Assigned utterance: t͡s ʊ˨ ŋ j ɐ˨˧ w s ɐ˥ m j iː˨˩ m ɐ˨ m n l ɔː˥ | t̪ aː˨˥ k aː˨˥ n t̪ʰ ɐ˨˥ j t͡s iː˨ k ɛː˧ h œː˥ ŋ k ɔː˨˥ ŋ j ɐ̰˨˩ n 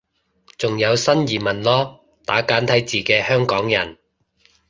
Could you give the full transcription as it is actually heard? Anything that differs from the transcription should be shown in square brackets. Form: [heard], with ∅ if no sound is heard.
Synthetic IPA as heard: t͡s ʊ˨ ŋ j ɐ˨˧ w s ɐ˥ [n] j iː˨˩ m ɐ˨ [∅] n l ɔː˥ | t̪ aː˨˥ k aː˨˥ n t̪ʰ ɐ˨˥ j t͡s iː˨ k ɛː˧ h œː˥ ŋ k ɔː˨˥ ŋ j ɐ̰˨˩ n